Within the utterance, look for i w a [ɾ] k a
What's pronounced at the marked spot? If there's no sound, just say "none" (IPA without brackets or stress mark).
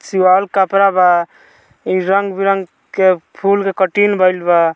l